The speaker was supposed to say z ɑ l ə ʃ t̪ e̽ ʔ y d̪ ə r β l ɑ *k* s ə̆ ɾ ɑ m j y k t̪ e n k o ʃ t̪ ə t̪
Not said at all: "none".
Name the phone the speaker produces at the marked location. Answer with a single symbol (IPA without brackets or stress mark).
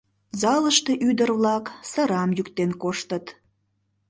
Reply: k